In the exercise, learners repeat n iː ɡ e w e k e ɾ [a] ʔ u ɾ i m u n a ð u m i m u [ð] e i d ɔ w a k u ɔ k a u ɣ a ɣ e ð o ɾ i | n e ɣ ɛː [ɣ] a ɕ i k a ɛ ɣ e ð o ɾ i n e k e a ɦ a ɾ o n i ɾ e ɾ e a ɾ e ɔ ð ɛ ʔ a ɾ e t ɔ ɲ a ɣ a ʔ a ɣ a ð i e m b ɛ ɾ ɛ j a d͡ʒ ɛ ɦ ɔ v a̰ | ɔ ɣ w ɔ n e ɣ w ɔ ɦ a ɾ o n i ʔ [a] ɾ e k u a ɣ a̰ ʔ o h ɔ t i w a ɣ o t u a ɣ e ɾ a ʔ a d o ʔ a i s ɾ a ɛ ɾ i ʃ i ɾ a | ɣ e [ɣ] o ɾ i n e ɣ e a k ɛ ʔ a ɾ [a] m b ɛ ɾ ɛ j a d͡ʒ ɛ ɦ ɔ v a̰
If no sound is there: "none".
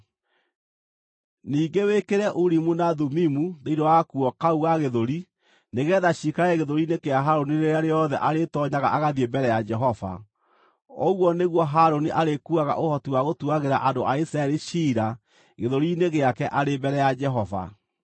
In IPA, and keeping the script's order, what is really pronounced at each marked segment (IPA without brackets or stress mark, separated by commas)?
ɛ, ð, ð, a, ð, e